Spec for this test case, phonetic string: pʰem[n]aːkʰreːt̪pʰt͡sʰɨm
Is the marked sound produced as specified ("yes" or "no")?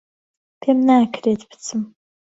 yes